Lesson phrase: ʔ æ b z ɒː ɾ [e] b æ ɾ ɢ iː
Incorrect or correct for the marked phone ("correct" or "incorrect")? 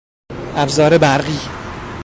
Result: correct